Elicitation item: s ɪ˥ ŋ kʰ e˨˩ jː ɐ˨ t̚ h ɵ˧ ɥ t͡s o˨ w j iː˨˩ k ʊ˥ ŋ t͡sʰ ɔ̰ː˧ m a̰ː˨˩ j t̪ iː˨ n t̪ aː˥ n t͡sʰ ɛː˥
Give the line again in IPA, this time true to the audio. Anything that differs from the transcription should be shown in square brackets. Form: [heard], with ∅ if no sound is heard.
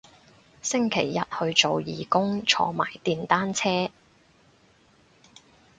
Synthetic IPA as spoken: s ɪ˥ ŋ kʰ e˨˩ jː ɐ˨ t̚ h ɵ˧ ɥ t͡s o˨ w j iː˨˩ k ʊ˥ ŋ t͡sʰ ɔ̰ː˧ m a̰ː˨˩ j t̪ iː˨ n t̪ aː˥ n t͡sʰ ɛː˥